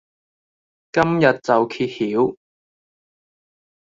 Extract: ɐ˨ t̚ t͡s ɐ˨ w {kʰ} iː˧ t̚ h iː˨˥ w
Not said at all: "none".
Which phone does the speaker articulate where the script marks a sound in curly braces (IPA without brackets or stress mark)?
kʰ